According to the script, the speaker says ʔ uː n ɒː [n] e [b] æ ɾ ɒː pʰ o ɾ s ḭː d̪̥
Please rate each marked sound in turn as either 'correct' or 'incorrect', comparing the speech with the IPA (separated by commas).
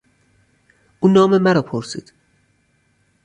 incorrect, incorrect